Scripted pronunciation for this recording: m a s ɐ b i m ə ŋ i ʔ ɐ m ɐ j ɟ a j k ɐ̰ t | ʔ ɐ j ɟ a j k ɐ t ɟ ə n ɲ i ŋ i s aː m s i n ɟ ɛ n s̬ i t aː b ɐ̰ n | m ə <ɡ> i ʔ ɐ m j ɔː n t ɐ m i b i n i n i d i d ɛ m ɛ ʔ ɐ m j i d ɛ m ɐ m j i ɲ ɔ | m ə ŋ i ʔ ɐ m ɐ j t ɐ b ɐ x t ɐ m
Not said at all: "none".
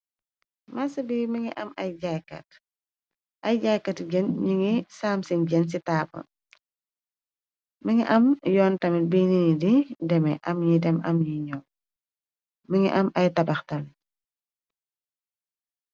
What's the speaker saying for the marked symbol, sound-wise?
ŋ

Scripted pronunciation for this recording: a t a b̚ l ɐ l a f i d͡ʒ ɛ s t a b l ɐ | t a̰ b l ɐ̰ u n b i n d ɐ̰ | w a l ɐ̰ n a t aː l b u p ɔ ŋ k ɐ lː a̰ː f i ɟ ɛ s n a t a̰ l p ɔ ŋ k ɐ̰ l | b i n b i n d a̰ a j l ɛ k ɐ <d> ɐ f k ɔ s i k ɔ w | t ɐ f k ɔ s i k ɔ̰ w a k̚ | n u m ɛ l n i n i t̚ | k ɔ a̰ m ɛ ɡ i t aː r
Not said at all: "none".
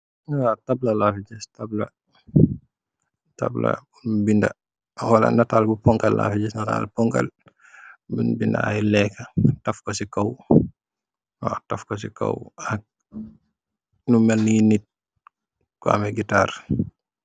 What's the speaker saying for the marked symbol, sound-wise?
t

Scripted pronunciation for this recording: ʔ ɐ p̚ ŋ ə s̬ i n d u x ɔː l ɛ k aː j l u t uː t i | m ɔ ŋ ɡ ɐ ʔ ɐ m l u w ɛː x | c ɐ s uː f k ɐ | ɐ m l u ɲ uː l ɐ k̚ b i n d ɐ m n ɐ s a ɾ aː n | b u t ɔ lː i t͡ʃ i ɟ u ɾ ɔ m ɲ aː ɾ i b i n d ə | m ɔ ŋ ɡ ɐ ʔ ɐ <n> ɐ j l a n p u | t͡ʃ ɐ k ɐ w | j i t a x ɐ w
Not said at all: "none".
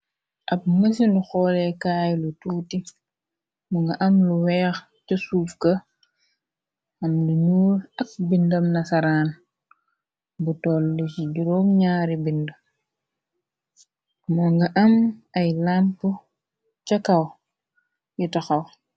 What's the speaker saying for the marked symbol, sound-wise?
m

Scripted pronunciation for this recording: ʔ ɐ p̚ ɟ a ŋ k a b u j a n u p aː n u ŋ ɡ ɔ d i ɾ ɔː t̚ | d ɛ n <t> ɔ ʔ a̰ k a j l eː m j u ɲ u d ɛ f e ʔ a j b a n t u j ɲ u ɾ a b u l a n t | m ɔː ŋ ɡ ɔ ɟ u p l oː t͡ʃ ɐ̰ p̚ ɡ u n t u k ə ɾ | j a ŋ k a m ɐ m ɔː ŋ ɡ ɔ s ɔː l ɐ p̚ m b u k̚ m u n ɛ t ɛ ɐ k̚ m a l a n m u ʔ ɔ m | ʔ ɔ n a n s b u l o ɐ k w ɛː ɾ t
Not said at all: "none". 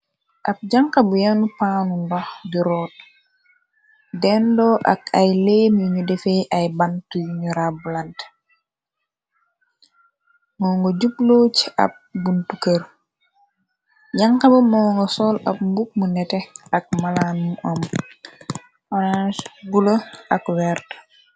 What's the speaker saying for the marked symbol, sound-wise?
d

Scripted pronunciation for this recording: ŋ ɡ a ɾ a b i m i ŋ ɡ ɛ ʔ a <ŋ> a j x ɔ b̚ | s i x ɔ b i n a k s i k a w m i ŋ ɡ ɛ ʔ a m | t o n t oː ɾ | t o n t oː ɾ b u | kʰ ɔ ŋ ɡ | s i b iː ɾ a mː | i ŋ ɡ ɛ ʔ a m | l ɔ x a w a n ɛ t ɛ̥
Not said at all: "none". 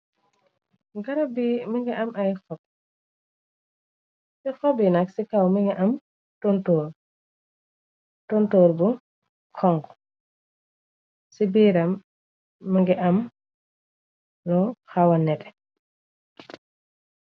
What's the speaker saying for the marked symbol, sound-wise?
m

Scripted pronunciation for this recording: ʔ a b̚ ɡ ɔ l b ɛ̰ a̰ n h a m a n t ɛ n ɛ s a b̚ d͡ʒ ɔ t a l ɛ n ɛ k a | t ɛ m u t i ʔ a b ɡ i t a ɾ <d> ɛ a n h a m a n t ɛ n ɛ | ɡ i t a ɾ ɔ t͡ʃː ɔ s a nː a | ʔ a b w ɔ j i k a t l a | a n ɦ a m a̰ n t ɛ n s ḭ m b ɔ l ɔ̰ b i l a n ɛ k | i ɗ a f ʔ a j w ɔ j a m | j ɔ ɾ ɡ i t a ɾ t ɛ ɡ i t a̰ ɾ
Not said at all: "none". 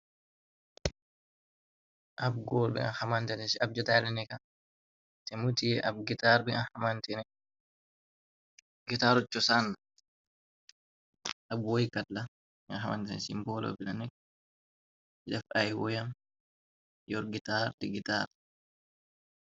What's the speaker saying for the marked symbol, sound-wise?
b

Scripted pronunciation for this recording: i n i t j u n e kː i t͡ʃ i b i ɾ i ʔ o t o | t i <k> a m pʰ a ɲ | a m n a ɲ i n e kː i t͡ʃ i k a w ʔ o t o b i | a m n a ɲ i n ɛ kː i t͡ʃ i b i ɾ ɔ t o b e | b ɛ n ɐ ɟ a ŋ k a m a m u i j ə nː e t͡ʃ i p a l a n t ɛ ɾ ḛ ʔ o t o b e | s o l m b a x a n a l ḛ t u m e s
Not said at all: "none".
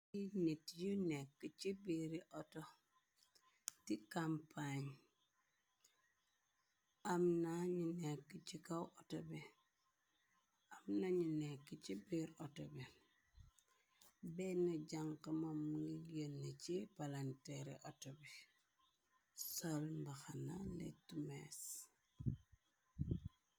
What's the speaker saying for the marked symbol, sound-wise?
k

